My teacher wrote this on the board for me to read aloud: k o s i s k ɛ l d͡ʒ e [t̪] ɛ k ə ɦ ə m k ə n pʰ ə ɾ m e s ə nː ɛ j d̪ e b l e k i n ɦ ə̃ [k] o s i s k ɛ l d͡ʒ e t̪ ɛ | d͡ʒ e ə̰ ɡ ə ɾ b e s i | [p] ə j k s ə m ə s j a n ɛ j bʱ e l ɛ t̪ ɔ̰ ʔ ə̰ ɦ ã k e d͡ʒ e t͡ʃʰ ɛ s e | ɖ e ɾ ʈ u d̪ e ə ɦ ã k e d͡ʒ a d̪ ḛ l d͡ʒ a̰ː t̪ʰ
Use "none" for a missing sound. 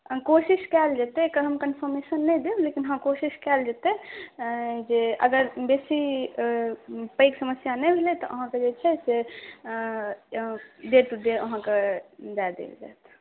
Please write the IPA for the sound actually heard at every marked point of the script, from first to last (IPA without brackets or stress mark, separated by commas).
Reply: t̪, k, p